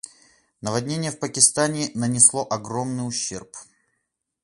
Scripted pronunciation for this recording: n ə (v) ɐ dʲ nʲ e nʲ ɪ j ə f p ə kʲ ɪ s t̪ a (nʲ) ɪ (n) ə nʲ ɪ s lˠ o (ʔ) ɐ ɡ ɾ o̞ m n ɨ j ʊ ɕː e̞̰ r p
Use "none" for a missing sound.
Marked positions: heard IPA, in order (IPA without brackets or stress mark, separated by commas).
v, nʲ, n, ʔ